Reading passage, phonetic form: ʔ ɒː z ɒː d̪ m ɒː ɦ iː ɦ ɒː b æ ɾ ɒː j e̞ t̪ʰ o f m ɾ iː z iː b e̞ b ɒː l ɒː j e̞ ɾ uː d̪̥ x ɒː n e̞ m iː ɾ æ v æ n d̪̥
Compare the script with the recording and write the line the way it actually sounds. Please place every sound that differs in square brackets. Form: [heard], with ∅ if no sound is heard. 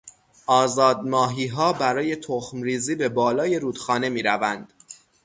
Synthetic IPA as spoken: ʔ ɒː z ɒː d̪ m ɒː ɦ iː ɦ ɒː b æ ɾ ɒː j e̞ t̪ʰ o [x] m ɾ iː z iː b e̞ b ɒː l ɒː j e̞ ɾ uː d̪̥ x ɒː n e̞ m iː ɾ æ v æ n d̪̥